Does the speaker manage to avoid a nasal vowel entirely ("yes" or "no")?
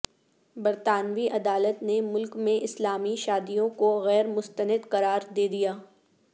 no